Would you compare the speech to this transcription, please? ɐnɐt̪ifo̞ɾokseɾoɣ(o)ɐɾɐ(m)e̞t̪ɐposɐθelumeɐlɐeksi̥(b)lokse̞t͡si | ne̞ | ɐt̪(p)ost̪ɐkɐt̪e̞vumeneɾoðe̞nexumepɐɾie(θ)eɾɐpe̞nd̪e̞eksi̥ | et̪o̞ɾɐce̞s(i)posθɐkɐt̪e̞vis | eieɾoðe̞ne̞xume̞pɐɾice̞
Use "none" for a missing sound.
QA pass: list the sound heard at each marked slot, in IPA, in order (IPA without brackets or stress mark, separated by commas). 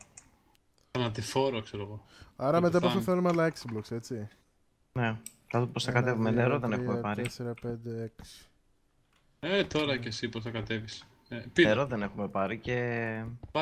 o, m, b, p, s, i